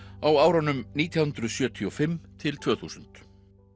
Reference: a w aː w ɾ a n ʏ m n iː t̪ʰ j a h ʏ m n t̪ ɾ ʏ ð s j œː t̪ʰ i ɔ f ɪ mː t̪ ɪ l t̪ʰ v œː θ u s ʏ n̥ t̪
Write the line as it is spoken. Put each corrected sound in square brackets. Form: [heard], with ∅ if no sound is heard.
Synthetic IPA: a w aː w ɾ a n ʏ m n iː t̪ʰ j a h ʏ [∅] n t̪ ɾ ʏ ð s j œː t̪ʰ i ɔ f ɪ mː [t̪ʰ] ɪ l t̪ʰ v œː θ u s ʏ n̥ t̪